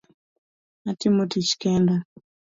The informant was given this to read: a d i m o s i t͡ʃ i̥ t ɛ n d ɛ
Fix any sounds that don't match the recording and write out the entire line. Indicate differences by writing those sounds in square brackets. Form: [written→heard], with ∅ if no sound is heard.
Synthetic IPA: a [d→t] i m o [s→t] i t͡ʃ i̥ [t→k] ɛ n d [ɛ→a]